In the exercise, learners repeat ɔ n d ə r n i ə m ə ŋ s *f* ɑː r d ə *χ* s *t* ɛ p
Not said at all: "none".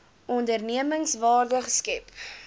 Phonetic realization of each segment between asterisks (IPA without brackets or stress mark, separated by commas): v, χ, k